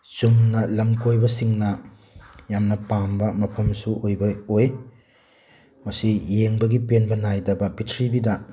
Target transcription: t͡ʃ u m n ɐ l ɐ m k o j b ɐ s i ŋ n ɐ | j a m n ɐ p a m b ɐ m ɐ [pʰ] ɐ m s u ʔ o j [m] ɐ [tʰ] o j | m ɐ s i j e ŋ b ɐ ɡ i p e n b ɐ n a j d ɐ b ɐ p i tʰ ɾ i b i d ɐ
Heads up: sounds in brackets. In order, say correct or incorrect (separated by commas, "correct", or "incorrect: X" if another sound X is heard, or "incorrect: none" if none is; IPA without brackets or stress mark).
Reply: correct, incorrect: b, incorrect: none